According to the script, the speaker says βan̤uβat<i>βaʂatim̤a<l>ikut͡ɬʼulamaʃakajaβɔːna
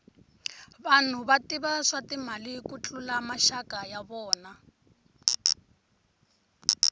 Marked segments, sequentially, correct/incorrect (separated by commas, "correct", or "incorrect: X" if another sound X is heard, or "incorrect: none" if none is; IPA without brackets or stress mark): correct, correct